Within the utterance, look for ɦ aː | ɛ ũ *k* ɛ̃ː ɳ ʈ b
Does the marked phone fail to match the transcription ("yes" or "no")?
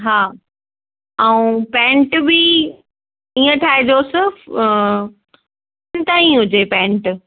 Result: yes